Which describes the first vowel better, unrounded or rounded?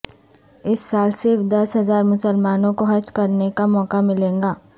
unrounded